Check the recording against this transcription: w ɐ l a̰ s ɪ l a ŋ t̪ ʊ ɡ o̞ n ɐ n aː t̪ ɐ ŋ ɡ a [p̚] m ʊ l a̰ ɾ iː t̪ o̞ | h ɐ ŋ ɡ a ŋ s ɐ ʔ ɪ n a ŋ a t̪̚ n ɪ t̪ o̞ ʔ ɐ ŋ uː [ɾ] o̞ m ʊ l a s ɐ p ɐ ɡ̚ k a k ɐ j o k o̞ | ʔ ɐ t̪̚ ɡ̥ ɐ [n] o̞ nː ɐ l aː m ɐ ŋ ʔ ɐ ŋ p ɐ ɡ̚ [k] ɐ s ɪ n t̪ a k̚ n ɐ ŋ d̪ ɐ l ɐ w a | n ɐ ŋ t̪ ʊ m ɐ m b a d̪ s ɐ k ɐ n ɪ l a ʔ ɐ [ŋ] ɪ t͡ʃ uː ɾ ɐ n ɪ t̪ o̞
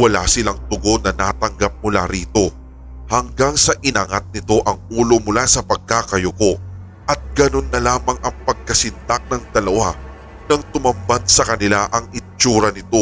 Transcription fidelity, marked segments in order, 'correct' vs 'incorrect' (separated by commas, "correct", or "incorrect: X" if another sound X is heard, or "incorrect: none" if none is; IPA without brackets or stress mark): correct, incorrect: l, correct, correct, correct